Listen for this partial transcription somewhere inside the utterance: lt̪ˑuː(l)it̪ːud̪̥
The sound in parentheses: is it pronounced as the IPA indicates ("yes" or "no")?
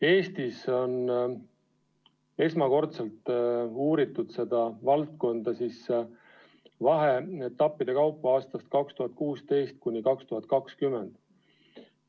no